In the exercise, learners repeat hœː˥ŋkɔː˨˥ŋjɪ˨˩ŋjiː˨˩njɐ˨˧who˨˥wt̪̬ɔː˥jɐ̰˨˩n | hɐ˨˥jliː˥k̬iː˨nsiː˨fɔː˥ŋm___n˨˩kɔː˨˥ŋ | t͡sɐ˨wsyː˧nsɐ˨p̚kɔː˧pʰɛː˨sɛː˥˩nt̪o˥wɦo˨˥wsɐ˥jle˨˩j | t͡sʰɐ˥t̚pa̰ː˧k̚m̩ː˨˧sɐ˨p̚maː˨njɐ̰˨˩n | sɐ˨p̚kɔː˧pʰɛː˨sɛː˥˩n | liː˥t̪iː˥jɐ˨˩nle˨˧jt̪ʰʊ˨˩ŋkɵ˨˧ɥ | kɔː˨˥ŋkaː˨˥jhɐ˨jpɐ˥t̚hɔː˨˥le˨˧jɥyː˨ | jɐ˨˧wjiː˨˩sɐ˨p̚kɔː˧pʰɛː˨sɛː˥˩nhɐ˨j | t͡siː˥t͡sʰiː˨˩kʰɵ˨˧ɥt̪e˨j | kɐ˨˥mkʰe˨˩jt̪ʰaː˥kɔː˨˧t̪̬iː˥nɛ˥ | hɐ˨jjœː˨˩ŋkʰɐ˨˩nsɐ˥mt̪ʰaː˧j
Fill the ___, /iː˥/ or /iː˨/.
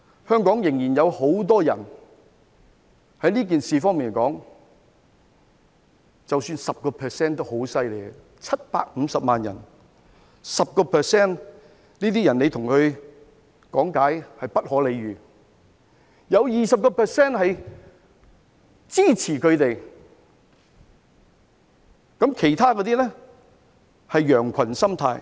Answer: iː˨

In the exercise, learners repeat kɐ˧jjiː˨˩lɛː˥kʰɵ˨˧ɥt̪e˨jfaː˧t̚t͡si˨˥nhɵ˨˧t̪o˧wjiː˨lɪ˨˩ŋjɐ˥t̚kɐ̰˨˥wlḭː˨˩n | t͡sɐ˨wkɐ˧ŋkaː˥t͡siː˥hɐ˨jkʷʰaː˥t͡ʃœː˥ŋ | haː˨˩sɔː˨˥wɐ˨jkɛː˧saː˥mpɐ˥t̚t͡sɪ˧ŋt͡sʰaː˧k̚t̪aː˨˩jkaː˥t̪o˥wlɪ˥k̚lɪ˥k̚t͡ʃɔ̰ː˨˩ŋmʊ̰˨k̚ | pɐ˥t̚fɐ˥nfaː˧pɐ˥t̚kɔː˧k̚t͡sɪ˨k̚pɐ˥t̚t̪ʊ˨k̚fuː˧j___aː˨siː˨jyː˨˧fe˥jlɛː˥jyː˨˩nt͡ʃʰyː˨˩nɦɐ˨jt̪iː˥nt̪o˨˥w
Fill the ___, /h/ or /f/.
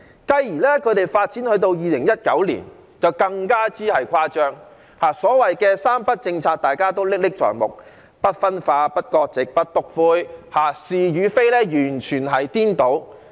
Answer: h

